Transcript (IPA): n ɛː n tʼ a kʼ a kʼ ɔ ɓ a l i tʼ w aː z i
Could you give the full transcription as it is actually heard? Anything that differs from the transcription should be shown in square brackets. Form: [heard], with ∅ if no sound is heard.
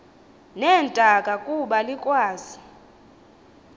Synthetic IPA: n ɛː n tʼ a kʼ a kʼ [u] ɓ a l i [kʼ] w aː z i